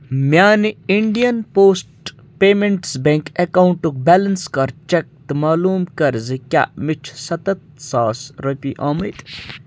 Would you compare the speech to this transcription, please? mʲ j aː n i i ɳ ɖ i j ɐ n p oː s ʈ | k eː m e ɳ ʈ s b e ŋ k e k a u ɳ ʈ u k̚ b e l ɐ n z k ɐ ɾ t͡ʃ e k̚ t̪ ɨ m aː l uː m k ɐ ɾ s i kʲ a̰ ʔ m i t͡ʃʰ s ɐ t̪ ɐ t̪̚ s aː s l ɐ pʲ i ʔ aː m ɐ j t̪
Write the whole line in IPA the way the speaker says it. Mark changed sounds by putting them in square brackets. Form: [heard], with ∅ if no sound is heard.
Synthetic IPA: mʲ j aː n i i ɳ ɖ i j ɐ n p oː s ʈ | [p] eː m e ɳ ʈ s b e ŋ k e k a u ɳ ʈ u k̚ b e l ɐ n [s] k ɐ ɾ t͡ʃ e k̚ t̪ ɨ m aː l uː m k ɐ ɾ [z] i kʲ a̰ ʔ m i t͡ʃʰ s ɐ t̪ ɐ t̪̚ s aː s [ɾ] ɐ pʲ i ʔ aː m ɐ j t̪